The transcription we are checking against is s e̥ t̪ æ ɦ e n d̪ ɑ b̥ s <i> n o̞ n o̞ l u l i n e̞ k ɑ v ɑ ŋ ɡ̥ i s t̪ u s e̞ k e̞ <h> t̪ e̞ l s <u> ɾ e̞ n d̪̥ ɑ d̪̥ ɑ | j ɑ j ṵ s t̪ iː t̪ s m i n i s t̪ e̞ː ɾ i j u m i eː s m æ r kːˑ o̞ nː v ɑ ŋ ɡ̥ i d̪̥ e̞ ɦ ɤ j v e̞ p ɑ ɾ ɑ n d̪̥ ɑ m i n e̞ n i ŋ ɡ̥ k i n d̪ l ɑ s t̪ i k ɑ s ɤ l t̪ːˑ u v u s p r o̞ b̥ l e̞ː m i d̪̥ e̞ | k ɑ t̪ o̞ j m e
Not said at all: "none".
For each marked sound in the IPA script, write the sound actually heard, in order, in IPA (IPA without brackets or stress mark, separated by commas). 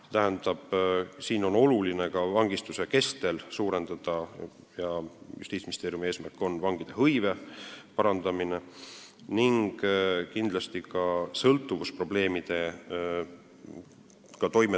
iː, s, uː